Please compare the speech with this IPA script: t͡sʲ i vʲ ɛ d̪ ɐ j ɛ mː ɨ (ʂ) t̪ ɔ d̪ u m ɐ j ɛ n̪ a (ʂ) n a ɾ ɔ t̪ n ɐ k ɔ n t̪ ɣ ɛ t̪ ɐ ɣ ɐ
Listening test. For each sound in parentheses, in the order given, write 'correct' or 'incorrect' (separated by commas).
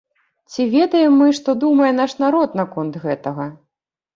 correct, correct